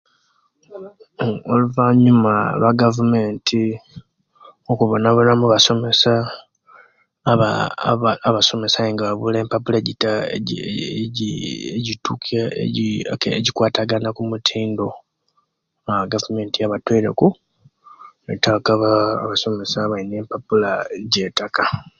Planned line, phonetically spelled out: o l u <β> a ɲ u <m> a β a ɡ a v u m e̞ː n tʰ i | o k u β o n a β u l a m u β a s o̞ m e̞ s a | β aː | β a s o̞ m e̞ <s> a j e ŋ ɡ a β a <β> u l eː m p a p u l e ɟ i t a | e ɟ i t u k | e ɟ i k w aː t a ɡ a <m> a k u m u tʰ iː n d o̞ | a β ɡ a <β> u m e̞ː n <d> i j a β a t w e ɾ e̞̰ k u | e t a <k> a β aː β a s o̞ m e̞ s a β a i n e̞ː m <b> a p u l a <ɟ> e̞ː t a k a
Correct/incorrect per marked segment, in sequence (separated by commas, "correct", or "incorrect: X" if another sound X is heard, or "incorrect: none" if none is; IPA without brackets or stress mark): incorrect: v, correct, correct, correct, incorrect: n, incorrect: v, incorrect: t, correct, incorrect: p, correct